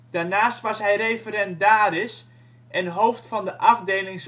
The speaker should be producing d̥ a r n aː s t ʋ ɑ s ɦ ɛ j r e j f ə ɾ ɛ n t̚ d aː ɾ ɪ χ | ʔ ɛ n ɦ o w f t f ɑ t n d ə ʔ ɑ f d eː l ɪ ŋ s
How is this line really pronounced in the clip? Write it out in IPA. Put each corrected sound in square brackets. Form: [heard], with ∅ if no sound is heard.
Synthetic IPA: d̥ a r n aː s t ʋ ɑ s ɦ ɛ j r e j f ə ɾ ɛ n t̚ d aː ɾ ɪ [s] | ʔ ɛ n ɦ o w f t f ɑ [∅] n d ə ʔ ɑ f d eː l ɪ ŋ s